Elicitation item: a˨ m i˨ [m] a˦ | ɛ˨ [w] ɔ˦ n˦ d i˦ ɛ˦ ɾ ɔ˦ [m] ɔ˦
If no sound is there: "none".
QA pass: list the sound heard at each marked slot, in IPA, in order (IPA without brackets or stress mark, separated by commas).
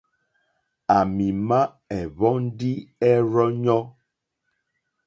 m, β, ɲ